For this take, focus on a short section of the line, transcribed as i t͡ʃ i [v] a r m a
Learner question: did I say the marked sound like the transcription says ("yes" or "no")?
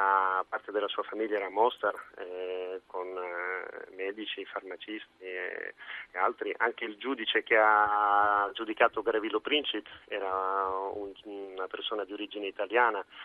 no